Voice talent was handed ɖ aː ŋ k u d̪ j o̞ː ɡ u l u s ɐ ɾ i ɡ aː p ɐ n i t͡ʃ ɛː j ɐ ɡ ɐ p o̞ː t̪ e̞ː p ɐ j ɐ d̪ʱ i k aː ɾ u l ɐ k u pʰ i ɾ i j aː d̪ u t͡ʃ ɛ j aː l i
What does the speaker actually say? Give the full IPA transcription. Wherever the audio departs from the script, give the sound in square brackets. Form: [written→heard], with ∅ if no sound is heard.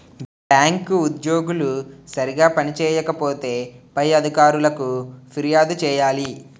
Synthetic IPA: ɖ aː ŋ k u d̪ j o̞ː ɡ u l u s ɐ ɾ i ɡ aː p ɐ n i t͡ʃ ɛː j ɐ [ɡ→k] ɐ p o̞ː t̪ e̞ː p ɐ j ɐ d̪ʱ i k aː ɾ u l ɐ k u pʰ i ɾ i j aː d̪ u t͡ʃ [ɛ→ɛː] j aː l i